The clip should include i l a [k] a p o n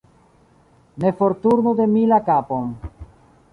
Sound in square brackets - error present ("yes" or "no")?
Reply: no